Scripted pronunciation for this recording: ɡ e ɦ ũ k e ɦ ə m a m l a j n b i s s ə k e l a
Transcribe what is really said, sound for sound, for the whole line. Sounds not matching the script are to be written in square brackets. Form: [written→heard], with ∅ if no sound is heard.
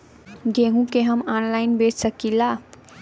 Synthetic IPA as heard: ɡ e ɦ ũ k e ɦ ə m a [m→n] l a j n b [i→e] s s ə k [e→i] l a